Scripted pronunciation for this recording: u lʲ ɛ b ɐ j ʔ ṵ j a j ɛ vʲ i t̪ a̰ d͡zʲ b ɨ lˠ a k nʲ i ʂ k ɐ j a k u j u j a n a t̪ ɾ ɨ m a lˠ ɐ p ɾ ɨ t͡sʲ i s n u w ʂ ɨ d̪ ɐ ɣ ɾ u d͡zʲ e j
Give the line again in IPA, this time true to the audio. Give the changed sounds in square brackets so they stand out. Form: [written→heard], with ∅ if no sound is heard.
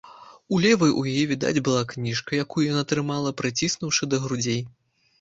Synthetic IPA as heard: u lʲ ɛ [b→v] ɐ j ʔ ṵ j a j ɛ vʲ i [t̪→d̪] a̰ d͡zʲ b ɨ lˠ a k nʲ i ʂ k ɐ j a k u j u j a n a t̪ ɾ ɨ m a lˠ ɐ p ɾ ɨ t͡sʲ i s n u w ʂ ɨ d̪ ɐ ɣ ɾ u d͡zʲ e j